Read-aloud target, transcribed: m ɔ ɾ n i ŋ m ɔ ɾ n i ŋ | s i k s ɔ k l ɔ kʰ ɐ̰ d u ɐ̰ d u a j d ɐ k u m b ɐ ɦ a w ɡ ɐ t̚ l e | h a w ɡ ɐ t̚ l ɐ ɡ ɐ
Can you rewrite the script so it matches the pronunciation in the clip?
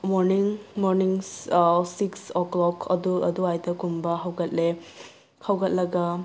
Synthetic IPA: m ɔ ɾ n i ŋ m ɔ ɾ n i ŋ | s i k s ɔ k l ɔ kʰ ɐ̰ d u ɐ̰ d u a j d ɐ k u m b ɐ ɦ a w ɡ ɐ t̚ l e | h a w ɡ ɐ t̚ l ɐ ɡ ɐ